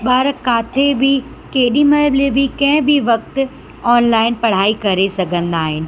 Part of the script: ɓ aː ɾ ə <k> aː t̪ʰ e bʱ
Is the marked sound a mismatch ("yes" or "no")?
no